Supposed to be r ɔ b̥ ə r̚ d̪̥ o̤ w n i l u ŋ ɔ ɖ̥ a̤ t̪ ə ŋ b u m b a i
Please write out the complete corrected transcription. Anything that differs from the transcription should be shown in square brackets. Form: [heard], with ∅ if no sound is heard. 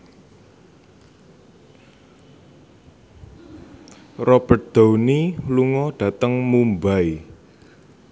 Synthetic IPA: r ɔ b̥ ə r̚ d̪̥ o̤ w n i l u ŋ ɔ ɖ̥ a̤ t̪ ə ŋ [m] u m b a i